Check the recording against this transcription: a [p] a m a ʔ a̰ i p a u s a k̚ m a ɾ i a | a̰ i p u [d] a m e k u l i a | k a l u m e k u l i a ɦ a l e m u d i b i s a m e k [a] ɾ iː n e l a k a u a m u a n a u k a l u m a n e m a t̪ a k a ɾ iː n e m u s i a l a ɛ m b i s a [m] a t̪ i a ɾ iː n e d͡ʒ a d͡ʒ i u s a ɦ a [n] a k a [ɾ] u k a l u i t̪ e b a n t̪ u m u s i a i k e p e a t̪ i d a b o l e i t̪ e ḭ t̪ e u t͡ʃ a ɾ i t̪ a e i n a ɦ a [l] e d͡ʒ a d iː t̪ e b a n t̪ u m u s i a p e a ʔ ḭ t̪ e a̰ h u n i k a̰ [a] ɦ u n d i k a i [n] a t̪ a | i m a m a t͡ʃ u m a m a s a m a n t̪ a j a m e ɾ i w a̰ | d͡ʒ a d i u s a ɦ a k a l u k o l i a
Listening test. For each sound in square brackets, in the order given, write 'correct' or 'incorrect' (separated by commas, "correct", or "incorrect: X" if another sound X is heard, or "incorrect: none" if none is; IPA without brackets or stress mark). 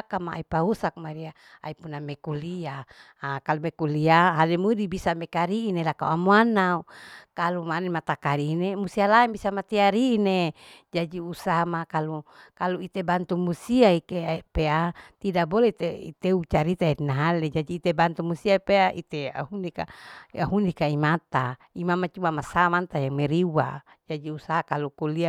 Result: incorrect: k, incorrect: n, correct, correct, incorrect: m, incorrect: l, correct, correct, incorrect: m